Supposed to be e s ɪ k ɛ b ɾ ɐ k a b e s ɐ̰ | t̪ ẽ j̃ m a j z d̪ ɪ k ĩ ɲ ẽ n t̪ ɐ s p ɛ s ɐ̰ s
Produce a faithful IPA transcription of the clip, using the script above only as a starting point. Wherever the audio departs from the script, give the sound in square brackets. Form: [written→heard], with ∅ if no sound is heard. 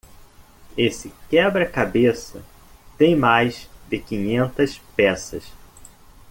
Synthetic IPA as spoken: e s ɪ k ɛ b ɾ ɐ k a b e s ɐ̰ | t̪ ẽ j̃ m a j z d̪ ɪ k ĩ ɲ ẽ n t̪ ɐ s p ɛ s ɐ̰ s